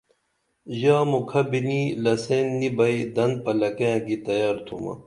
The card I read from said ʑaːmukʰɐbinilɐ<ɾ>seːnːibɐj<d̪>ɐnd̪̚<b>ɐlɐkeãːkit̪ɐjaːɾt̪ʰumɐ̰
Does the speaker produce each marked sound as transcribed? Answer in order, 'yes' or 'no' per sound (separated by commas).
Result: no, yes, no